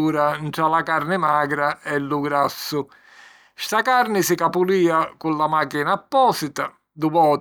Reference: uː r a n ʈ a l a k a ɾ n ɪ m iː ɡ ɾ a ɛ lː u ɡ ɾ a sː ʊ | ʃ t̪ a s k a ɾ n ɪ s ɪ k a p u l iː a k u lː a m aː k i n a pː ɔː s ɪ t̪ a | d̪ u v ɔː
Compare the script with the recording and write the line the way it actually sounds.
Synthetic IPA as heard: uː ɾ a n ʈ a l a k a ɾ n ɪ m aː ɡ ɾ a ɛ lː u ɡ ɾ a sː ʊ | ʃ t̪ a k a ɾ n ɪ s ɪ k a p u l iː a k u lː a m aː k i n a pː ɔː s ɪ t̪ a | d̪ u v ɔː